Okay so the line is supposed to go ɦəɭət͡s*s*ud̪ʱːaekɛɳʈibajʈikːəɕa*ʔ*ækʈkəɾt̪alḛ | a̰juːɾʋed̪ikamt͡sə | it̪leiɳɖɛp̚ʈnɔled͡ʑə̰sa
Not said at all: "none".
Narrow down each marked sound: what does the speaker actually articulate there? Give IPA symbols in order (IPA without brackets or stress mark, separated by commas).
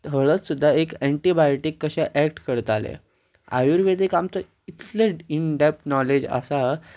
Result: s, ʔ